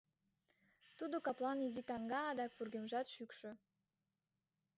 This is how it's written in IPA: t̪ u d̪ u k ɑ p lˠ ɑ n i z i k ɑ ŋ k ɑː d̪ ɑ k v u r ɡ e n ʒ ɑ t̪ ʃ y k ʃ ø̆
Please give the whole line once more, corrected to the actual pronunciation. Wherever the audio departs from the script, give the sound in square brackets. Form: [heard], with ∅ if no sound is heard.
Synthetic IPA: t̪ u d̪ [o] k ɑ p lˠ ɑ n i z i k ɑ ŋ [ɡ] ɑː d̪ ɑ k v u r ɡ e [m] ʒ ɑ t̪ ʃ y k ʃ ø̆